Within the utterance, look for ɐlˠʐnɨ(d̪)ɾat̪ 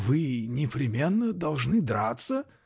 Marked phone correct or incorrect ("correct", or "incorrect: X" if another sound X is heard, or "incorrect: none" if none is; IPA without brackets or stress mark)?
correct